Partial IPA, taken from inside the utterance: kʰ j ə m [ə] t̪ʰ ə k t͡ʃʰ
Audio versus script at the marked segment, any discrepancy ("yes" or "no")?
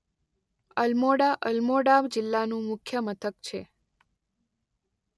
no